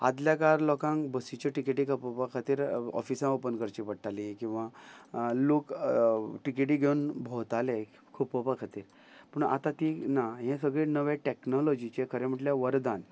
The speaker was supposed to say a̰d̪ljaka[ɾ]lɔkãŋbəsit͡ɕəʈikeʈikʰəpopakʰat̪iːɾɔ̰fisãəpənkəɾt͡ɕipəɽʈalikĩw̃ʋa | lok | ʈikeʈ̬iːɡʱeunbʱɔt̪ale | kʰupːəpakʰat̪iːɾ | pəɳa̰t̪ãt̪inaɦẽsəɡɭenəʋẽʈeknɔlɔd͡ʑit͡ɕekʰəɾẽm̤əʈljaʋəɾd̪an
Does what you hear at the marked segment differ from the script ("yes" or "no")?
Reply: no